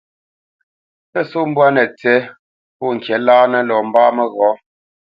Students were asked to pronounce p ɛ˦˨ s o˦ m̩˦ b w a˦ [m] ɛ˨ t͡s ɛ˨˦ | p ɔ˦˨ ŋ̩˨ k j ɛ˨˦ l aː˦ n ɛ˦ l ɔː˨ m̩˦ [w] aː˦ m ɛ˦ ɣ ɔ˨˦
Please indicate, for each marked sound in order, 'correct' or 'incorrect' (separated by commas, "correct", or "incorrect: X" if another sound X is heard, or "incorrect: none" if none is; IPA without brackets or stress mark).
incorrect: n, incorrect: b